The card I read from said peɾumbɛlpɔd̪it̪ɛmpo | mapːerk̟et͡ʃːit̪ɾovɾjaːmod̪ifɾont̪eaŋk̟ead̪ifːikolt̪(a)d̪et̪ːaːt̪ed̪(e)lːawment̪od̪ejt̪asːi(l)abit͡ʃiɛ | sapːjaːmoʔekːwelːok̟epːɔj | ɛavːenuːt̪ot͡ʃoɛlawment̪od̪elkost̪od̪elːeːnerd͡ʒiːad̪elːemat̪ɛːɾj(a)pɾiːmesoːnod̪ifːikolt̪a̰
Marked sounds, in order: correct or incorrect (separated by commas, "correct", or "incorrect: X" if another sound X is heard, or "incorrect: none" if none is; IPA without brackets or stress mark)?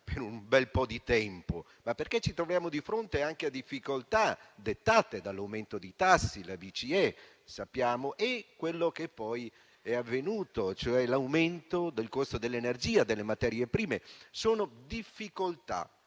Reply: correct, incorrect: a, correct, incorrect: e